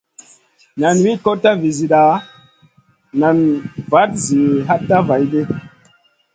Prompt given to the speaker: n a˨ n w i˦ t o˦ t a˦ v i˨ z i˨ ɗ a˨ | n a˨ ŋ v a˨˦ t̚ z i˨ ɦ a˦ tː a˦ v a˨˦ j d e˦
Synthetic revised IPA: n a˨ n w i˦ k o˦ t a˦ v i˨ z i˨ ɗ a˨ | n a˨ n v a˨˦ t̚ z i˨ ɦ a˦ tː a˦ v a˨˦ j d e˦